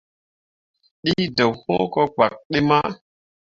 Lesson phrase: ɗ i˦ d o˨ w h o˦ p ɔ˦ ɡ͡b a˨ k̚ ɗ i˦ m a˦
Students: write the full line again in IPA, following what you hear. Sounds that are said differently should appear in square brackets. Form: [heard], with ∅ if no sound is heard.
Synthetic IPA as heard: ɗ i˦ d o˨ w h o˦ [k] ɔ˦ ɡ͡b a˨ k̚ ɗ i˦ m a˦